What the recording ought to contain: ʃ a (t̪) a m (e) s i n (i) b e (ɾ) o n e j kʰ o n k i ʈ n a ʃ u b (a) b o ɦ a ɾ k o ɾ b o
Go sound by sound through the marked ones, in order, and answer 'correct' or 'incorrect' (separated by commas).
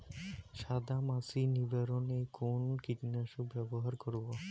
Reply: incorrect, incorrect, correct, correct, incorrect